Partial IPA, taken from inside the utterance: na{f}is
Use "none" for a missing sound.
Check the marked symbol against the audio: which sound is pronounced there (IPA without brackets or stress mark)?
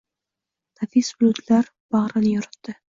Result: f